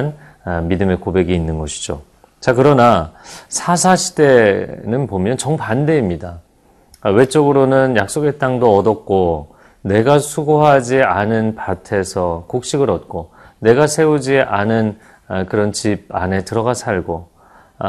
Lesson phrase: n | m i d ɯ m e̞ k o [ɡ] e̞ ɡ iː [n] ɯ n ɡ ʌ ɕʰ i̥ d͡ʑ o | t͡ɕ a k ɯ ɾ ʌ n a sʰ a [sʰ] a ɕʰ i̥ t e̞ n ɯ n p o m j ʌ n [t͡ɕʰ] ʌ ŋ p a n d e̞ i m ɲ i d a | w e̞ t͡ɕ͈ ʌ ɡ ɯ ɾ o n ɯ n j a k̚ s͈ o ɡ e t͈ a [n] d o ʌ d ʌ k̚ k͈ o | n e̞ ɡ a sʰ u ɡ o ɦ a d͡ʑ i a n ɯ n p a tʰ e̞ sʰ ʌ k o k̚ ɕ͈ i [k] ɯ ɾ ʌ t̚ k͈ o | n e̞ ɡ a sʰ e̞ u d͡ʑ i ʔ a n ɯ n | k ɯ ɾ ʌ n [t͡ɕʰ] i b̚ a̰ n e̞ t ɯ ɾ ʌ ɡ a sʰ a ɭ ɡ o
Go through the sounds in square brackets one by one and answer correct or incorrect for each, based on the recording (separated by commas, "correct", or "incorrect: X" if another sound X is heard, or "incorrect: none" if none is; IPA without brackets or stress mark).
incorrect: b, incorrect: nː, correct, incorrect: t͡ɕ, incorrect: ŋ, incorrect: ɡ, incorrect: t͡ɕ